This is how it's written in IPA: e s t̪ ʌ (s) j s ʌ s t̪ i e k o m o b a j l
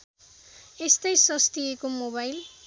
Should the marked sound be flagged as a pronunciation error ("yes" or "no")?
yes